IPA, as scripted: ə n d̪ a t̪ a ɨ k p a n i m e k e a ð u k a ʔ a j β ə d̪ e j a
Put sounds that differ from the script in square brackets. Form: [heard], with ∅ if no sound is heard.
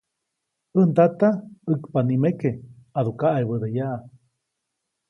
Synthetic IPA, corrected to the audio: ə n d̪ a t̪ a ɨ k p a n i m e k e a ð u k a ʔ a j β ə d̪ e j a